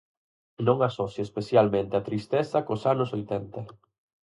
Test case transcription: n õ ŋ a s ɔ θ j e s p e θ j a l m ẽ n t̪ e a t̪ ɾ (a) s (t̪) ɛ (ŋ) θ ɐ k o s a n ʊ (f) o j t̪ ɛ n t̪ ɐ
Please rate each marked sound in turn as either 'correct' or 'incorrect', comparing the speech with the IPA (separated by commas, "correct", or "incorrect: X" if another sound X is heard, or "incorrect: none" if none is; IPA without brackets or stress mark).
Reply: incorrect: i, correct, incorrect: none, incorrect: s